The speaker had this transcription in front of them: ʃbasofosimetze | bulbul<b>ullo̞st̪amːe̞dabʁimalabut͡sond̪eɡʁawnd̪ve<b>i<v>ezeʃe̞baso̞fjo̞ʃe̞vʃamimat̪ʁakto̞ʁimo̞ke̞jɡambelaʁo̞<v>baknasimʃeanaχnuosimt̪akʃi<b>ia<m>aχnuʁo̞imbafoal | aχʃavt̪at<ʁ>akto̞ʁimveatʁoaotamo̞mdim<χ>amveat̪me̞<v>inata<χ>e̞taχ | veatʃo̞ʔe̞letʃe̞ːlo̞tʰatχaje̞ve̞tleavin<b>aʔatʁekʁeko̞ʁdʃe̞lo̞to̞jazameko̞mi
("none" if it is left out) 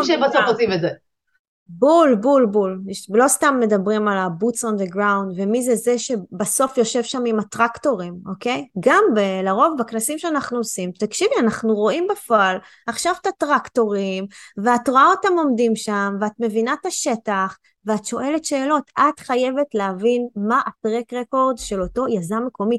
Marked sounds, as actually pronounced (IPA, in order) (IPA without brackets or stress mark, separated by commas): b, m, z, v, v, n, ʁ, ʃ, v, ʃ, m